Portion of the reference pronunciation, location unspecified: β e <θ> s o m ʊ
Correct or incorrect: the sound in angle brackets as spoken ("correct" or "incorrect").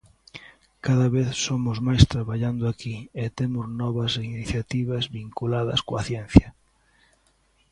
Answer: correct